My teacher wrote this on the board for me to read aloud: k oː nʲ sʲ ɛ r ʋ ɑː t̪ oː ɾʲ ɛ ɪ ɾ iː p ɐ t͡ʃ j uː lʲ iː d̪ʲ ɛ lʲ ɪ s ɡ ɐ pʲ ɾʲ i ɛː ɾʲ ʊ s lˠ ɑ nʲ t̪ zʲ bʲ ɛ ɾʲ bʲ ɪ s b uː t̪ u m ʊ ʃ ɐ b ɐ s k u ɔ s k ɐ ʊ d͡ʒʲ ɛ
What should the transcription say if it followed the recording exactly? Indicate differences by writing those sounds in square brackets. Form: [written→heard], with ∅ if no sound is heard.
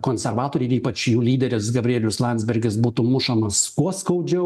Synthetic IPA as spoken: k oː nʲ sʲ ɛ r ʋ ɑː t̪ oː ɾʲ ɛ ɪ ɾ iː p ɐ t͡ʃ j uː lʲ iː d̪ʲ ɛ [lʲ→ɾʲ] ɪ s ɡ ɐ [pʲ→bʲ] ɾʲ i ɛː [ɾʲ→lʲ] ʊ s lˠ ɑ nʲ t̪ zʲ bʲ ɛ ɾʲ [bʲ→ɡʲ] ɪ s b uː t̪ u m ʊ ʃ ɐ [b→m] ɐ s k u ɔ s k ɐ ʊ d͡ʒʲ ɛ